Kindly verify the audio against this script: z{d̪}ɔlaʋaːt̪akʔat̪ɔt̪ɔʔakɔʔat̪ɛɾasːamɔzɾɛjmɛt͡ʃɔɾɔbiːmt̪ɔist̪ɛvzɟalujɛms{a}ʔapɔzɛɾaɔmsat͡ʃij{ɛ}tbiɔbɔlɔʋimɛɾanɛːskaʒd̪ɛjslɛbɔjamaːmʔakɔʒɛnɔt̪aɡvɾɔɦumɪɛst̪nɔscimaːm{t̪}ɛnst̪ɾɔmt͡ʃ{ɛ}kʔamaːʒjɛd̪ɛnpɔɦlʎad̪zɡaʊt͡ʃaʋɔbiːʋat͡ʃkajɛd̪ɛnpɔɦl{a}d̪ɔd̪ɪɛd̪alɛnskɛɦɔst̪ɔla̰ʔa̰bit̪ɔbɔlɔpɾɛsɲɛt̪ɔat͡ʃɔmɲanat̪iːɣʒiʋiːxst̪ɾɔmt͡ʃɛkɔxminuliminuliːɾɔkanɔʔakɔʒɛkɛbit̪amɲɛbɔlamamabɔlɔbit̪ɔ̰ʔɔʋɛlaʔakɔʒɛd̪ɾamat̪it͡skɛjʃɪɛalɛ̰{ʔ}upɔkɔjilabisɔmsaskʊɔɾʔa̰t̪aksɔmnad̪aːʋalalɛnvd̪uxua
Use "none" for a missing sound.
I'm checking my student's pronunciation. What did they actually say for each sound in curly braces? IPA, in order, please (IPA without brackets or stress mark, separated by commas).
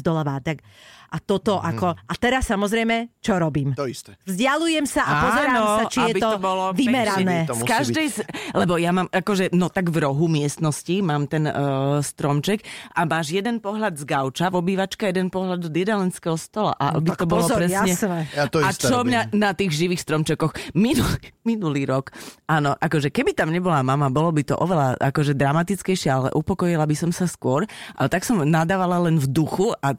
d̪, a, ɛ, t̪, ɛ, a, ʔ